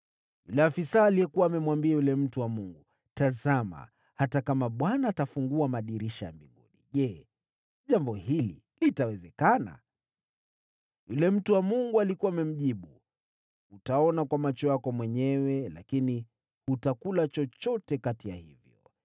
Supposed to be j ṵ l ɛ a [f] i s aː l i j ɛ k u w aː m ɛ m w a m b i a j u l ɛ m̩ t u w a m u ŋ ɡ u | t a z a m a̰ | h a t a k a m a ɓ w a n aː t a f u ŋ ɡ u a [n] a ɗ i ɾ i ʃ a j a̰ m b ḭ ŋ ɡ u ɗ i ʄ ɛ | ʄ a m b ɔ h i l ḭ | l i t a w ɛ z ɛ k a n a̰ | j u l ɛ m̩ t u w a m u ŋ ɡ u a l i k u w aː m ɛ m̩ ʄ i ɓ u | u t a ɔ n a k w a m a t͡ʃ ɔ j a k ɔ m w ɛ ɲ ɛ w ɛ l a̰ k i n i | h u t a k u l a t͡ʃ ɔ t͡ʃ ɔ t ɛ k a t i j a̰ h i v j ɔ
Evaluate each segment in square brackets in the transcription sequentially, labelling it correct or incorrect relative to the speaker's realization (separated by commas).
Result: correct, incorrect